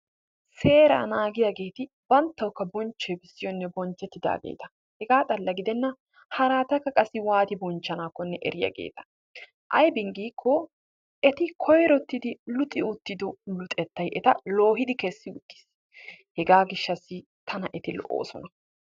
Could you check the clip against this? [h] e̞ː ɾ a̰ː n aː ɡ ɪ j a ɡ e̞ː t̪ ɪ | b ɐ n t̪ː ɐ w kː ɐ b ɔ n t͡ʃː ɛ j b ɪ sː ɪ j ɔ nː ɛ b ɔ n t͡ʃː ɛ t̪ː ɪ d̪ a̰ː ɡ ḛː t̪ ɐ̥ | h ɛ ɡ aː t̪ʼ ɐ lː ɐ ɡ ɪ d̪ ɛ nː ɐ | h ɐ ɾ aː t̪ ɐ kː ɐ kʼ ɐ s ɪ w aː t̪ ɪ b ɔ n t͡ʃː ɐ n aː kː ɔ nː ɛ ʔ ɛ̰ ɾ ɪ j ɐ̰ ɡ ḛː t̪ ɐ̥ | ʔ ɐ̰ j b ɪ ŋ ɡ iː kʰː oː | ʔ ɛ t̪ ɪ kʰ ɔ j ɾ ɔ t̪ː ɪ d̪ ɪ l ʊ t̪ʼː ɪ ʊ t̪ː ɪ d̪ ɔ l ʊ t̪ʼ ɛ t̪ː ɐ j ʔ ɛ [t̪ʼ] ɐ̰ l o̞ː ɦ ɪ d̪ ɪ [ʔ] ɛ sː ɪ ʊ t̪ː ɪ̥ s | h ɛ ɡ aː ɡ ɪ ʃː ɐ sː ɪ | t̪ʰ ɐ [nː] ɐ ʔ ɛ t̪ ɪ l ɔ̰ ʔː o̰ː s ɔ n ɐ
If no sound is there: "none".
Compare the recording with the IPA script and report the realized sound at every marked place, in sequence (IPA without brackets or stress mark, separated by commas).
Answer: s, t̪, k, n